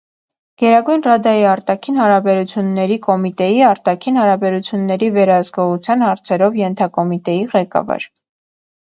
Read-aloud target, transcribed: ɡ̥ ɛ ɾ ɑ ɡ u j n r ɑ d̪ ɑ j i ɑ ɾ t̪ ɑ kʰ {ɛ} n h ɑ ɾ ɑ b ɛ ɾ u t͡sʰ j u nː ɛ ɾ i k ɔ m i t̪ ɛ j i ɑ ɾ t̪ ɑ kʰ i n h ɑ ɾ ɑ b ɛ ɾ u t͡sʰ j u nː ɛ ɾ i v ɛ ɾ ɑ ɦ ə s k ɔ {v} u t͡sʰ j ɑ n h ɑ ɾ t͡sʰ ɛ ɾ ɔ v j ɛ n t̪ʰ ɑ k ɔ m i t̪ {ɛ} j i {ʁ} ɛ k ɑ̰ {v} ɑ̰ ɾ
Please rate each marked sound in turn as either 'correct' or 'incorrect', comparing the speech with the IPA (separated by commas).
incorrect, incorrect, correct, correct, correct